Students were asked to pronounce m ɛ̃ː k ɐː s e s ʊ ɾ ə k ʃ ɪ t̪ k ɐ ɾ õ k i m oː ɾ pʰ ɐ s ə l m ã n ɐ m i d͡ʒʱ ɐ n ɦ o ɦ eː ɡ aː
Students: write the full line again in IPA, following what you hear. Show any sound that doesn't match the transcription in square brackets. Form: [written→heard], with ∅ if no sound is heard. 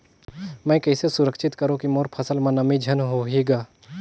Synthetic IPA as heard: m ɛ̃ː k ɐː s e s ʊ ɾ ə k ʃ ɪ t̪ k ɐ ɾ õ k i m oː ɾ pʰ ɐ s ə l m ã n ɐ m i d͡ʒʱ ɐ n ɦ o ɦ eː ɡ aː